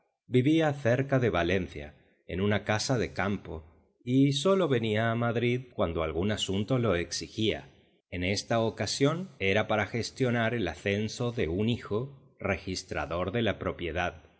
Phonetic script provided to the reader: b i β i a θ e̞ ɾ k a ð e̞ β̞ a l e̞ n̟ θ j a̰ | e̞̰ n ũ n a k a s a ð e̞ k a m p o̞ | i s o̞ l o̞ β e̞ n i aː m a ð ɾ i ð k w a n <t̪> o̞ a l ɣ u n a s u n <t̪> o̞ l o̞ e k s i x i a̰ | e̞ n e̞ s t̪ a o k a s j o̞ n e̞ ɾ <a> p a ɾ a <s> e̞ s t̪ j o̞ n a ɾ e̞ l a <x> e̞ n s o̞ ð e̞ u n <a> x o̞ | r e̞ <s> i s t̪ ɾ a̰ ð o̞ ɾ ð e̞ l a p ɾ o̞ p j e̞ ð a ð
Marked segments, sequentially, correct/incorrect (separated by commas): incorrect, correct, correct, incorrect, incorrect, incorrect, incorrect